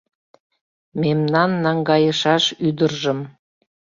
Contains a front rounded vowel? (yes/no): yes